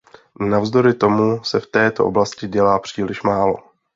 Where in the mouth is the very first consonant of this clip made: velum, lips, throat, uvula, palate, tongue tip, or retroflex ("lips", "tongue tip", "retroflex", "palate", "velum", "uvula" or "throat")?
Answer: tongue tip